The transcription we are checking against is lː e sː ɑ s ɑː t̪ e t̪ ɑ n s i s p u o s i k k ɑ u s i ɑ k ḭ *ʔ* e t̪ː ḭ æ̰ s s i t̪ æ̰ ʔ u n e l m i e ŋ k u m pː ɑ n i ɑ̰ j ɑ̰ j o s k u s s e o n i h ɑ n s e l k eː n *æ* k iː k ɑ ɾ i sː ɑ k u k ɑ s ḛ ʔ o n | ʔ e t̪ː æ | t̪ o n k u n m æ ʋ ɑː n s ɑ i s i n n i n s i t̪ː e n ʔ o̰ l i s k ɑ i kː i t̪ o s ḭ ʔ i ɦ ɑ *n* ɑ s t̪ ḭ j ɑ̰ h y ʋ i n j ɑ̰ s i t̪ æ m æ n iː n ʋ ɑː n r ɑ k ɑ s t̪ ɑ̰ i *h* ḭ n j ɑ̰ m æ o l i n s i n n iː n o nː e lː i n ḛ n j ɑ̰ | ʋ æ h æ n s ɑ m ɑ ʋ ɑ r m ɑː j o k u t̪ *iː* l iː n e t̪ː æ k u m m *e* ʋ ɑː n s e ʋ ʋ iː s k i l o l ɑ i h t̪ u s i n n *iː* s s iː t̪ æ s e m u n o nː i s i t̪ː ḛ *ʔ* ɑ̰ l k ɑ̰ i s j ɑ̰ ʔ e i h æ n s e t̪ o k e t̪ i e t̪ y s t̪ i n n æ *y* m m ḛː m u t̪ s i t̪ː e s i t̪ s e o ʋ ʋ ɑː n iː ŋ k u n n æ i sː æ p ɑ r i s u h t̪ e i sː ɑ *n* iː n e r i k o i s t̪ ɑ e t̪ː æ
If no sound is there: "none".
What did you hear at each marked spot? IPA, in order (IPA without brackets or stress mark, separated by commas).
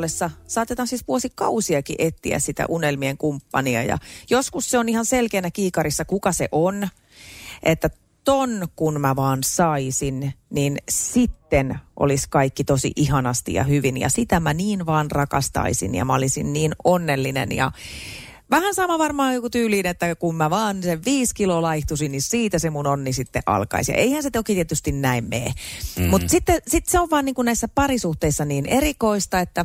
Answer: ʔ, æ, n, s, yː, æ, i, ʔ, i, n